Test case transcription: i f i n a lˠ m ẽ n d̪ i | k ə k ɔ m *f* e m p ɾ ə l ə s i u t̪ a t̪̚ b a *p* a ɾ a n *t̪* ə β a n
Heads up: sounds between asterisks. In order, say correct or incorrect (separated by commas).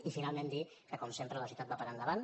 incorrect, correct, incorrect